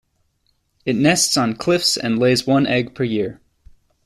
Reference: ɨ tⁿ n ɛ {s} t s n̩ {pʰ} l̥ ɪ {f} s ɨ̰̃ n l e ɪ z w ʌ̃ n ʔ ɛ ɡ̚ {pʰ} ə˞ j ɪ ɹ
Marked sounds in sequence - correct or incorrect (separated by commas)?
correct, incorrect, correct, correct